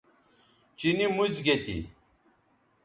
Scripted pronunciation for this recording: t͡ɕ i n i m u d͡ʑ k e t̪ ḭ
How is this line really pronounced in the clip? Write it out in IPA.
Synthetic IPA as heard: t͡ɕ i n i m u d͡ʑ ɡ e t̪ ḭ